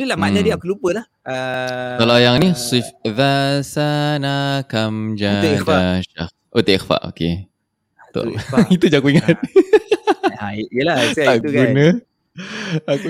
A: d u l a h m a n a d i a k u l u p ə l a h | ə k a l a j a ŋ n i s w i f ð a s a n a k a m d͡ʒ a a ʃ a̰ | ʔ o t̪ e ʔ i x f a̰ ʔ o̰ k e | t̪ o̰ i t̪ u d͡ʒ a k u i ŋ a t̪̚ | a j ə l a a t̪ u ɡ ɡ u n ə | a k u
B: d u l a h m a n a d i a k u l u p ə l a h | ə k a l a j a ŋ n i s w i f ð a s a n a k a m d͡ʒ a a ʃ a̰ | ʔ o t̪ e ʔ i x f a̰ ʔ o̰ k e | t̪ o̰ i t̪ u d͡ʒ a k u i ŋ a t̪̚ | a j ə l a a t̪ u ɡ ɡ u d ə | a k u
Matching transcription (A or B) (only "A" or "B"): A